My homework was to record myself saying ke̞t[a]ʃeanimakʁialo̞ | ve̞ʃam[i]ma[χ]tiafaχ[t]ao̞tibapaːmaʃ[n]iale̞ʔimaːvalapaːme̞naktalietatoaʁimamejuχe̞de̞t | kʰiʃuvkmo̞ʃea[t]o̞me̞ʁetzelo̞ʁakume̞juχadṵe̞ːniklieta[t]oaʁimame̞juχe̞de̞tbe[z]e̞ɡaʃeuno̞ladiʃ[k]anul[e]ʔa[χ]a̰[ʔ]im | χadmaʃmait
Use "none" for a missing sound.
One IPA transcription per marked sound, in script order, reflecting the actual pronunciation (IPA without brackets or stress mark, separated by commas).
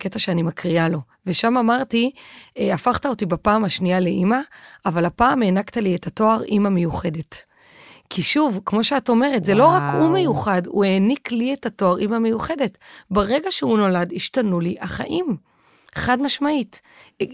a, a, ʁ, t, n, t, t, ʁ, t, i, χ, ʔ